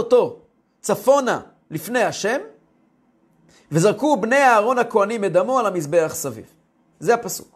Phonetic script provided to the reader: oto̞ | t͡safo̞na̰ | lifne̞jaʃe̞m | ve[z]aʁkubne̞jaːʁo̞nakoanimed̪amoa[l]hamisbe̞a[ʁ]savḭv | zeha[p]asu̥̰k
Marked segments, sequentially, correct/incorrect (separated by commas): correct, correct, incorrect, correct